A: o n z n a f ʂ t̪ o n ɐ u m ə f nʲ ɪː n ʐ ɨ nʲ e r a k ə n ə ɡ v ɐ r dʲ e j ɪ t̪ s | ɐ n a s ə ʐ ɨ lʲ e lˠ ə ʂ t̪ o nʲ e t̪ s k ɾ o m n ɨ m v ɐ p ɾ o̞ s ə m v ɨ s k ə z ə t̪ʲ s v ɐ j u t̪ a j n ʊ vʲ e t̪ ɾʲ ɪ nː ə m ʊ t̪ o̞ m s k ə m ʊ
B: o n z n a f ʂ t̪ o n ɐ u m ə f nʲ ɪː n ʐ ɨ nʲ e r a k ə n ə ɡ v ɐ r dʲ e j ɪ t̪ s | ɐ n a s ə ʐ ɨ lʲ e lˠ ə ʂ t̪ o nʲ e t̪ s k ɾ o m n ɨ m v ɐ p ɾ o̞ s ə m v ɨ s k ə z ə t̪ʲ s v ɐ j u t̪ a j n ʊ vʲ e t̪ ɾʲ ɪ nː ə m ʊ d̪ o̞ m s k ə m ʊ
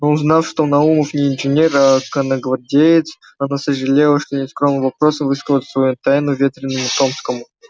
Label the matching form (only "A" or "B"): A